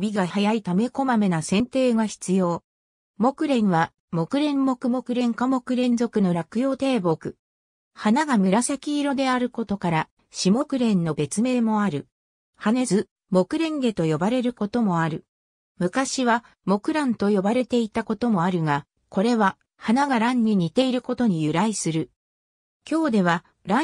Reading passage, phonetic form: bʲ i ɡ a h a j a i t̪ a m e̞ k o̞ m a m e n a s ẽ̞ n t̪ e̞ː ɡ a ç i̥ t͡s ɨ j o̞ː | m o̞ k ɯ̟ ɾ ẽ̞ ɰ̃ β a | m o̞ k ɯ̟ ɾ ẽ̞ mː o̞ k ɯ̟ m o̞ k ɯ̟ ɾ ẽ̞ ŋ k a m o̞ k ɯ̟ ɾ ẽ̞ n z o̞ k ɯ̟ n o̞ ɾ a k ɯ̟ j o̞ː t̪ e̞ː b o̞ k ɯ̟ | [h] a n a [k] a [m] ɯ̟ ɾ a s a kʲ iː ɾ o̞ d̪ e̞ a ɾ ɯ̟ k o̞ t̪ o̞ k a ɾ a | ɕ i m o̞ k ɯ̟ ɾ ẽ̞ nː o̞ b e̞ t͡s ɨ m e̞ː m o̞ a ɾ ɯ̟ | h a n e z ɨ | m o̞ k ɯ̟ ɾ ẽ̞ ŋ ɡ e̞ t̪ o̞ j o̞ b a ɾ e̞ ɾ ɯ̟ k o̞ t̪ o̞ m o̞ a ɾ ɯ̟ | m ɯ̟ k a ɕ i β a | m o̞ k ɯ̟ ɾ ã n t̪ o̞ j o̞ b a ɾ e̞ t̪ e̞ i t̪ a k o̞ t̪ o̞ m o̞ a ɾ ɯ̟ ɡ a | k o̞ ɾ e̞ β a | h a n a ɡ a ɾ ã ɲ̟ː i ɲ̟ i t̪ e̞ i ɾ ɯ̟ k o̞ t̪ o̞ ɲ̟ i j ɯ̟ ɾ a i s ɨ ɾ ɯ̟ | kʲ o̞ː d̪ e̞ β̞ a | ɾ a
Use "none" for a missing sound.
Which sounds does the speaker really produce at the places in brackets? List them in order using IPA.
h, ɡ, m

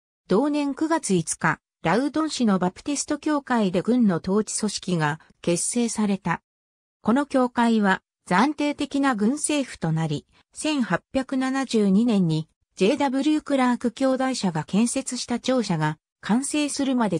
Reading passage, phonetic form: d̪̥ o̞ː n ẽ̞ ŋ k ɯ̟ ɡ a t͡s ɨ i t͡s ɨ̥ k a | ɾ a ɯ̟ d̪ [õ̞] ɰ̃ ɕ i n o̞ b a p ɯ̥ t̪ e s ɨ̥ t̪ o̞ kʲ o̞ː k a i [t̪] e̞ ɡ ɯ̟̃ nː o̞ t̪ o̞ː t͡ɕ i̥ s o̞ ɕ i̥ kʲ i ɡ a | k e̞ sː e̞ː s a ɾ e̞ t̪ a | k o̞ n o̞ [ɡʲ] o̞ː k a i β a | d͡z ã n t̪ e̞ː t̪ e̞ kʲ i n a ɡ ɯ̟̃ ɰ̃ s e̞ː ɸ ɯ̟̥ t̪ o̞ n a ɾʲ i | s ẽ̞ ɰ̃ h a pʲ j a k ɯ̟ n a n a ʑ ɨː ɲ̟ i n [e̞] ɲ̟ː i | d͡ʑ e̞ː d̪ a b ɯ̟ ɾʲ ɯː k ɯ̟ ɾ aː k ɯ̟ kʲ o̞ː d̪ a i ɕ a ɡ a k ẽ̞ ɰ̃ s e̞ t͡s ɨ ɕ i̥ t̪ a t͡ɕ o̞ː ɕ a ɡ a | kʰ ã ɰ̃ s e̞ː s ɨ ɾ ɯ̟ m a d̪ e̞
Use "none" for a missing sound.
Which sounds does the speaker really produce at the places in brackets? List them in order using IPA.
õ̞, d̪, kʲ, ẽ̞

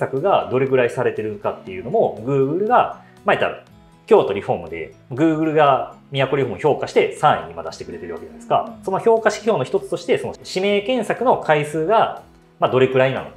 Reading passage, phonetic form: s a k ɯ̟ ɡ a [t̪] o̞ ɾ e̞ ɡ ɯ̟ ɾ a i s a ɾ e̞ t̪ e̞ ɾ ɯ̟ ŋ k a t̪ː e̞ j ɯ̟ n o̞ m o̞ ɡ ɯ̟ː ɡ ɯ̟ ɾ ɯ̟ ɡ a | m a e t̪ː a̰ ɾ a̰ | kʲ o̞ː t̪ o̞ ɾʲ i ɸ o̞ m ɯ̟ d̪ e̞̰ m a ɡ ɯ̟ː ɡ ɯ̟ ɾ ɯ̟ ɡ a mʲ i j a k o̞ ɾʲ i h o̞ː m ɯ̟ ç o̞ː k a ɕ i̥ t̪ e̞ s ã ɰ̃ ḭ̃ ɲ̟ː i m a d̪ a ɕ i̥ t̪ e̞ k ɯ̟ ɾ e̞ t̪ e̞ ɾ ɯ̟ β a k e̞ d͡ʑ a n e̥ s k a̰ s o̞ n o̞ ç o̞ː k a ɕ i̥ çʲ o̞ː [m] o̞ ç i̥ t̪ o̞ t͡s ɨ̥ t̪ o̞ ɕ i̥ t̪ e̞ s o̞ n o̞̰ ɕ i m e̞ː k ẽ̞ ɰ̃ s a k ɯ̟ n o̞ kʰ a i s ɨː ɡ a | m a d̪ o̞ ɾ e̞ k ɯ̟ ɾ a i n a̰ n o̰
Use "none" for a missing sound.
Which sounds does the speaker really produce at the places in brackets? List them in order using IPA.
d̪, n

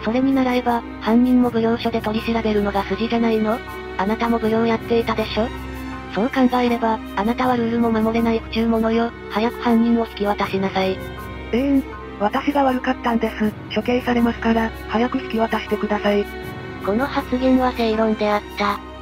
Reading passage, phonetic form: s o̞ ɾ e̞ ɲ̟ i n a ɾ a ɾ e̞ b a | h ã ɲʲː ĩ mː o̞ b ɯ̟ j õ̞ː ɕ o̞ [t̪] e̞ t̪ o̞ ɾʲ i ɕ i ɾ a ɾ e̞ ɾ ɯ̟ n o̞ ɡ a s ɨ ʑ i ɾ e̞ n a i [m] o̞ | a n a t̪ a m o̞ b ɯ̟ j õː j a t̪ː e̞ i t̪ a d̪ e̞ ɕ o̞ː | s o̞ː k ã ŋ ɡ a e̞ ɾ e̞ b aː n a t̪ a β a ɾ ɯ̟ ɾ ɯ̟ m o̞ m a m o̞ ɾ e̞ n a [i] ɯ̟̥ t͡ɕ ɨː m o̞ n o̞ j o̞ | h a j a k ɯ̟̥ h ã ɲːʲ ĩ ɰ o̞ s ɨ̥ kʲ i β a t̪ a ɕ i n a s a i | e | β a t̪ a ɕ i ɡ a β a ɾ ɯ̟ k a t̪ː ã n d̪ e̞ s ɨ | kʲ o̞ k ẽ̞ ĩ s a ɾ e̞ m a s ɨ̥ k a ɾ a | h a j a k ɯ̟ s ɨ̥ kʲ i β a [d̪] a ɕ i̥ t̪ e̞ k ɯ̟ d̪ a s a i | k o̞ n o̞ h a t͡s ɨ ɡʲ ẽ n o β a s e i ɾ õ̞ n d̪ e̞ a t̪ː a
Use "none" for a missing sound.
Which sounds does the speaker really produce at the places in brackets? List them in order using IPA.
d̪, n, i, t̪

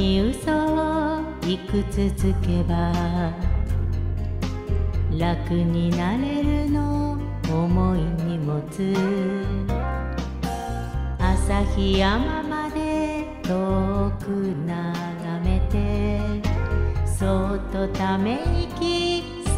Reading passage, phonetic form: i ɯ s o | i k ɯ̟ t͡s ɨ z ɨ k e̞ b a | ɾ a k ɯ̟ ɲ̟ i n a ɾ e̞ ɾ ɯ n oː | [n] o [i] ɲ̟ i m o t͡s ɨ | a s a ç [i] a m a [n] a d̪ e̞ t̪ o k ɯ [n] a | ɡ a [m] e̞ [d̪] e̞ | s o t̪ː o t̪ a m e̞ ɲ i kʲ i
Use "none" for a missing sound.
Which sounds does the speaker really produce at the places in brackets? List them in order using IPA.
m, i, i, m, n, m, t̪

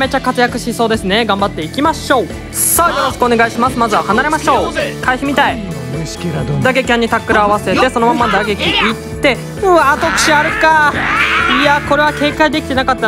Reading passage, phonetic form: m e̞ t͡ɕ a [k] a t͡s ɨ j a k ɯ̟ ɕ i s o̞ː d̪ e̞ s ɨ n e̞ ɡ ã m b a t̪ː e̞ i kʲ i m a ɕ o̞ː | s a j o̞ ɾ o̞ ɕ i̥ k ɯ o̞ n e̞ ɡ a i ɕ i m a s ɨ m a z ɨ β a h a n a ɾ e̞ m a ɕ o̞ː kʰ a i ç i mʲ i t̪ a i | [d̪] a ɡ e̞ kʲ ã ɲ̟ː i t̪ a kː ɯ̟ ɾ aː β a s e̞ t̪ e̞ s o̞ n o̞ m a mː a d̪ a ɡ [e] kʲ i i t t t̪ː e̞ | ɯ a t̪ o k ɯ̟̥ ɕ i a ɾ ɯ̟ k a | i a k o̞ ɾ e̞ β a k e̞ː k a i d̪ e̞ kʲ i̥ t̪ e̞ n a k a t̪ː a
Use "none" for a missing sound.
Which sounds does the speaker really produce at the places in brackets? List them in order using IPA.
k, d̪, e

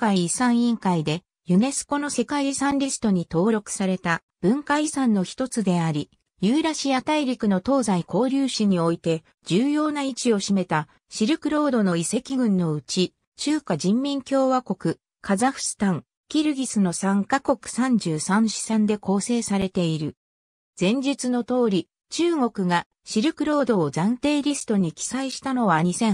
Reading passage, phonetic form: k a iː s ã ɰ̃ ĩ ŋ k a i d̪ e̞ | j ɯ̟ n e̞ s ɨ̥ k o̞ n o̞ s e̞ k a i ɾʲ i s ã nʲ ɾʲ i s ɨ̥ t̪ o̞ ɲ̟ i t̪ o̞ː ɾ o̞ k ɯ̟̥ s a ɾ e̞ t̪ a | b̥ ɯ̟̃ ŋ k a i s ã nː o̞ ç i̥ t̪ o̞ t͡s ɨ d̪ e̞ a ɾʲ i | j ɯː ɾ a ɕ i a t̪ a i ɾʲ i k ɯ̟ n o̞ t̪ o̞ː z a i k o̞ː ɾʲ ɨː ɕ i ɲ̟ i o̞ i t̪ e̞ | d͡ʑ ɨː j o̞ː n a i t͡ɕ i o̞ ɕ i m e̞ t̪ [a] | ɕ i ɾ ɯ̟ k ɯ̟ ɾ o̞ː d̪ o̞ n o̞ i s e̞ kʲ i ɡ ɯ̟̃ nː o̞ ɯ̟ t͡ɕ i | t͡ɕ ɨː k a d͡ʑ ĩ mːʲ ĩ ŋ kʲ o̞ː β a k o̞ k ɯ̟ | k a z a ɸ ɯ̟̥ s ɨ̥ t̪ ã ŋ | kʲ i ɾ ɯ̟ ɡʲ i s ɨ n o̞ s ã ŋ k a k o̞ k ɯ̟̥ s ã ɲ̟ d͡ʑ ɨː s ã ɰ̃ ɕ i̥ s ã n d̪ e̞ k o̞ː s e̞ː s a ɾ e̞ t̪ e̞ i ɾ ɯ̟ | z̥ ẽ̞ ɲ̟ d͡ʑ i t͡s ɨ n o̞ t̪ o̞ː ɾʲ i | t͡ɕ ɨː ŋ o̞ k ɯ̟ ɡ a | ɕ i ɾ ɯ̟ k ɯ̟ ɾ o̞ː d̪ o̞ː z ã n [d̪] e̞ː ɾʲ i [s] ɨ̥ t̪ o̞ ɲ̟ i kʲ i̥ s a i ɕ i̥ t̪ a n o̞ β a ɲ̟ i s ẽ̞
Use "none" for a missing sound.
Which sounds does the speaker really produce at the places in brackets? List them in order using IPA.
a, t̪, s

